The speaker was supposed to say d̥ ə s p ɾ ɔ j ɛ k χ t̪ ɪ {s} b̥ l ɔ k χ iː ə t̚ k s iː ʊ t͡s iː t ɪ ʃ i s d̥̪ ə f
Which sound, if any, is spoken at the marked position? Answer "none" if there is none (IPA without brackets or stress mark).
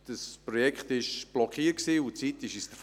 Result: ʃ